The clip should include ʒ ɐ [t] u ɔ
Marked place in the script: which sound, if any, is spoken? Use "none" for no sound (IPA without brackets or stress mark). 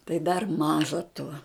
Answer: t